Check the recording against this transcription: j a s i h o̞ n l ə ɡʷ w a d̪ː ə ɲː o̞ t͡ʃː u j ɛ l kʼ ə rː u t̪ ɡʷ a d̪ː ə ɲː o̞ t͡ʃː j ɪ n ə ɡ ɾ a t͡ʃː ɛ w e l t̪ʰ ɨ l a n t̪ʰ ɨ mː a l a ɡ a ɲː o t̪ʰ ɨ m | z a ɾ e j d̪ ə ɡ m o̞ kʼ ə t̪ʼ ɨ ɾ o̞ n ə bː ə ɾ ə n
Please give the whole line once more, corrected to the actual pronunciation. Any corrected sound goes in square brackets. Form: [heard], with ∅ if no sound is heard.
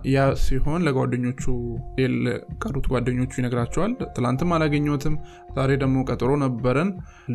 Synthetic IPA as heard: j a s i h o̞ n l ə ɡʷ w a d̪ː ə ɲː o̞ t͡ʃː u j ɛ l kʼ ə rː u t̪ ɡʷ a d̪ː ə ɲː o̞ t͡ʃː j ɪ n ə ɡ ɾ a t͡ʃː ɛ w [a] l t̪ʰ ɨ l a n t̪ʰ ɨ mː a l a ɡ [ə] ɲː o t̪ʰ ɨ m | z a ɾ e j d̪ ə ɡ m o̞ kʼ ə t̪ʼ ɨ ɾ o̞ n ə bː ə ɾ ə n